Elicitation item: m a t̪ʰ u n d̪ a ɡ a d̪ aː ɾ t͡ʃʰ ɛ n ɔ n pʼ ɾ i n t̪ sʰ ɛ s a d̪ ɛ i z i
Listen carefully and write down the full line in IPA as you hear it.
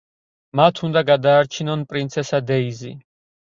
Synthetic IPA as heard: m a t̪ʰ u n d̪ a ɡ a d̪ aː ɾ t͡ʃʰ i n ɔ n pʼ ɾ i n t̪ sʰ ɛ s a d̪ ɛ i z i